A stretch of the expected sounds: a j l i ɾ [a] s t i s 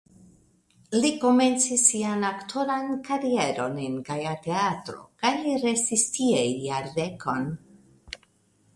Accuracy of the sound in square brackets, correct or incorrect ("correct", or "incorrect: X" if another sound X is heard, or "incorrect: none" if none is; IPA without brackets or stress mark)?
incorrect: e